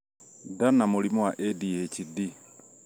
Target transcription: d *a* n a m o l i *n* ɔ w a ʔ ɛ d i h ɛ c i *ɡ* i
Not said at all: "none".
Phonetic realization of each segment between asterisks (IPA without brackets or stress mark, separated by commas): a, m, d